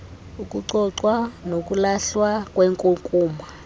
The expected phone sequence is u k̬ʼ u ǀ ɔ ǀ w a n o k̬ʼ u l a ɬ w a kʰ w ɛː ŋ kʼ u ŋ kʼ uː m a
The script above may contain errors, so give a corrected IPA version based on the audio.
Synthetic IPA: u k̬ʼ u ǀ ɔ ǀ w a n o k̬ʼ u l a ɬ w a k w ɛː ŋ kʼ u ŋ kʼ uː m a